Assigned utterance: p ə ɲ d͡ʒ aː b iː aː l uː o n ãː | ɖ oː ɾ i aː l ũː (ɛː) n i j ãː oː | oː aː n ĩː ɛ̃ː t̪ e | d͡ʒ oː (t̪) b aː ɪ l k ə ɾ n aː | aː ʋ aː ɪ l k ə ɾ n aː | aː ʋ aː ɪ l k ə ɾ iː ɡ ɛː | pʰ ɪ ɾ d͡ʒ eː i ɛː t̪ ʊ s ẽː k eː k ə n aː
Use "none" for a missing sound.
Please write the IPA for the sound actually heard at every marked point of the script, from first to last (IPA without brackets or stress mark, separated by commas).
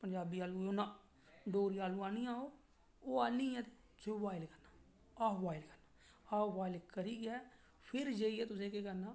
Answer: aː, none